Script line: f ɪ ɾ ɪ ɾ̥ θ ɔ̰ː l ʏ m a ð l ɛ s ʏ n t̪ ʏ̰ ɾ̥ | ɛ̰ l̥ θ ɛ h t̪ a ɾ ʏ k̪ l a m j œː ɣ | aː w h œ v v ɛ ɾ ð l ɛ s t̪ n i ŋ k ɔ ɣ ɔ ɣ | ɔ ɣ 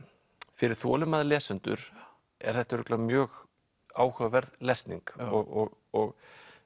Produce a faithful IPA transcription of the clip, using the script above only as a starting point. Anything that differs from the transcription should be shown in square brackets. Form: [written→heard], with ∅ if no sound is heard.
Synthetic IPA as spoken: f ɪ ɾ ɪ ɾ̥ θ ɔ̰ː l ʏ m a ð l [ɛ→ɛː] s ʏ n t̪ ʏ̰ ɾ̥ | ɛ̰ [l̥→ɾ̥] θ ɛ h t̪ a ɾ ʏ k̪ l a m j œː ɣ | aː w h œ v v ɛ ɾ ð l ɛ s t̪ n i ŋ k ɔ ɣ ɔ ɣ | ɔ ɣ